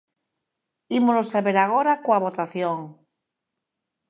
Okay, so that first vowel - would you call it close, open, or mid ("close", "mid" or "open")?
close